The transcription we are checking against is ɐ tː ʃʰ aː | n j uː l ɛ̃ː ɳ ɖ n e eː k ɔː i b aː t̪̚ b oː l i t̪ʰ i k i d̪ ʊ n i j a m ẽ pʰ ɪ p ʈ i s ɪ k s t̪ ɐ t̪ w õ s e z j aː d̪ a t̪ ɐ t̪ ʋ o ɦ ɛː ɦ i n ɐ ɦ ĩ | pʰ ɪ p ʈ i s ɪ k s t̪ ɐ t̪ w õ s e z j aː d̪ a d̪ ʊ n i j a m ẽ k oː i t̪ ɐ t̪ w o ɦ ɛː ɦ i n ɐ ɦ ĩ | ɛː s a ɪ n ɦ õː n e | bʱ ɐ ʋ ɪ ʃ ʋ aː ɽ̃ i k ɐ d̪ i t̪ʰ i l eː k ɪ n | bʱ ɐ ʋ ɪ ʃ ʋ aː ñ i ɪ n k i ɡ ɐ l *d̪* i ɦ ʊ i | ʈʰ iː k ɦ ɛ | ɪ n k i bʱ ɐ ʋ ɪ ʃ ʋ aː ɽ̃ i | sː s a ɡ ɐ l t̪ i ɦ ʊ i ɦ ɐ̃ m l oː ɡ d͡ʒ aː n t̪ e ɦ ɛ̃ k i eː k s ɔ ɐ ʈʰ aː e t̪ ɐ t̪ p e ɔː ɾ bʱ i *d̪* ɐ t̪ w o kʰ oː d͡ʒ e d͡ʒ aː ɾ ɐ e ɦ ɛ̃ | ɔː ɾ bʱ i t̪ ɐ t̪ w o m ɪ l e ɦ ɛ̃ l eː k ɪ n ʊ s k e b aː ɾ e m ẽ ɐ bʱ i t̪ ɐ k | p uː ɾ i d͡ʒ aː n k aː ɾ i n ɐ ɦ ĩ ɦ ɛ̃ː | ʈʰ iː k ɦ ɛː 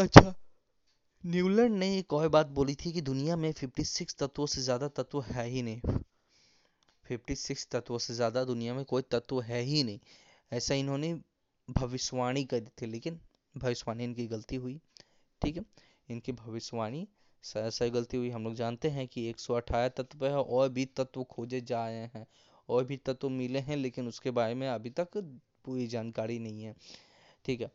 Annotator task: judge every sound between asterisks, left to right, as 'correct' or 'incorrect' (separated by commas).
incorrect, incorrect